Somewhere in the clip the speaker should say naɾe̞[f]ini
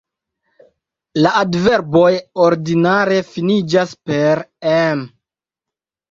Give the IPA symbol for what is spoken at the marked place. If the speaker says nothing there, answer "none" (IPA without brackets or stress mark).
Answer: f